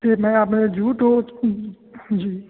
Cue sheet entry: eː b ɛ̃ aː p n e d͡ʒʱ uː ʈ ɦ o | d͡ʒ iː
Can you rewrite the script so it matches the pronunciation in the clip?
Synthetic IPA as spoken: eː m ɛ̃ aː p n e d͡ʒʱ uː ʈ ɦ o | d͡ʒ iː